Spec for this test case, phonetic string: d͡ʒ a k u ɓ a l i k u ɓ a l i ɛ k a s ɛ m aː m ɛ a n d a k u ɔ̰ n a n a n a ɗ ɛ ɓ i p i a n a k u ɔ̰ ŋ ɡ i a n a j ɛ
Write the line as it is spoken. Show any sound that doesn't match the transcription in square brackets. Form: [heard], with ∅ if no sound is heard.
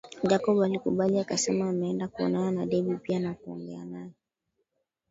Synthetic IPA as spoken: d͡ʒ a k [ɔ] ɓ a l i k u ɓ a l i [a] k a s ɛ m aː m ɛ [ɛ] n d a k u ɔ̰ n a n a n a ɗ ɛ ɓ i p i a n a k u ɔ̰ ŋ ɡ [ɛ] a n a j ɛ